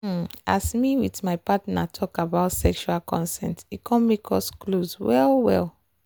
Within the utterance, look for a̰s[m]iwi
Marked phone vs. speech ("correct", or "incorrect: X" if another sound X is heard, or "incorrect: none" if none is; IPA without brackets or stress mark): correct